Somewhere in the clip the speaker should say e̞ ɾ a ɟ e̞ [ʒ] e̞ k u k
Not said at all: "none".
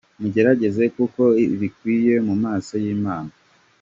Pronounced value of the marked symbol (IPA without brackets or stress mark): z